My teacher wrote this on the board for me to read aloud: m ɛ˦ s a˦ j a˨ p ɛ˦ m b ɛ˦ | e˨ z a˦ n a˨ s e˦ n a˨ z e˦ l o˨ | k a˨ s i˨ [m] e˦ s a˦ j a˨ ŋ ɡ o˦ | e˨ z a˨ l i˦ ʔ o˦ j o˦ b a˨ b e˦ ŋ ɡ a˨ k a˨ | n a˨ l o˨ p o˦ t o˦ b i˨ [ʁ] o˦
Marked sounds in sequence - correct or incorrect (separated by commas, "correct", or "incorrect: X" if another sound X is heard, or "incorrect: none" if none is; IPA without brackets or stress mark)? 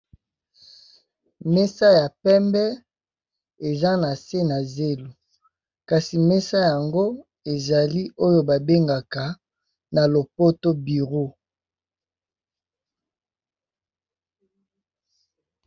correct, correct